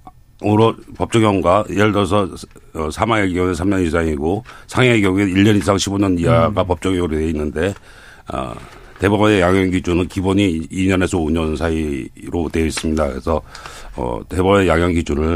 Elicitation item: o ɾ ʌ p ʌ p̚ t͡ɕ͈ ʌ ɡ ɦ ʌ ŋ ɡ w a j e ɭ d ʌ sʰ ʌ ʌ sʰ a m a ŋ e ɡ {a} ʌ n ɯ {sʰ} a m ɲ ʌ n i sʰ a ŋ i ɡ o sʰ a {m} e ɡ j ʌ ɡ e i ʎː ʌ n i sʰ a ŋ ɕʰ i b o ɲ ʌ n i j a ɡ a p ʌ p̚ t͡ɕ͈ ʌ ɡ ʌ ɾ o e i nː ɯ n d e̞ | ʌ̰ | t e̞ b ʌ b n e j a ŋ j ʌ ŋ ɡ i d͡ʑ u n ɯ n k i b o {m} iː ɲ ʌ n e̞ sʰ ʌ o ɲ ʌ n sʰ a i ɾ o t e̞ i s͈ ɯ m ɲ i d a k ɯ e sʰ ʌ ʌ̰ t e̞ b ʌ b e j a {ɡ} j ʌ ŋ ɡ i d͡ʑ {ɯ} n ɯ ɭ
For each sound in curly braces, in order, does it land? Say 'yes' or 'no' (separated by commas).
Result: no, yes, no, no, no, no